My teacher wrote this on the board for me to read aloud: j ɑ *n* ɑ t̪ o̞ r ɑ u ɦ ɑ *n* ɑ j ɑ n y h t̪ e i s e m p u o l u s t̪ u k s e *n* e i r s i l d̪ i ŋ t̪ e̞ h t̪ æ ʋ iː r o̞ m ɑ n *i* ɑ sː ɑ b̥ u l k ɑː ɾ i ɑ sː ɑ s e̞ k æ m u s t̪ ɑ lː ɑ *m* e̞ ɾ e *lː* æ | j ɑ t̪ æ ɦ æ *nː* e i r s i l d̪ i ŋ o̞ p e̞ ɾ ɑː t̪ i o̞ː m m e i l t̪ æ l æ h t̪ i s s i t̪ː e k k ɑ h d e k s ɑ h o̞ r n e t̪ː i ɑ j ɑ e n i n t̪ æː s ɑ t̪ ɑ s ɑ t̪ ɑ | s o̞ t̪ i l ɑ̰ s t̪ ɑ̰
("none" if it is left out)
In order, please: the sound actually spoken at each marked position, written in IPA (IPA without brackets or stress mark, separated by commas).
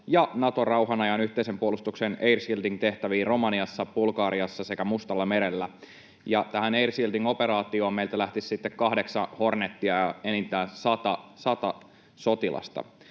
n, n, n, i, m, lː, n